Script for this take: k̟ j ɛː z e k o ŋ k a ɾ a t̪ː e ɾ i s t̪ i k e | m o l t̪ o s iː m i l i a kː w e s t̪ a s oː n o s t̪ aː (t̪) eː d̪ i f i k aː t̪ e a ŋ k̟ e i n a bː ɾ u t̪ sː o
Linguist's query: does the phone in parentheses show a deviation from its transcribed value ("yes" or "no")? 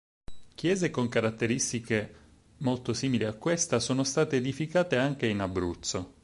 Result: no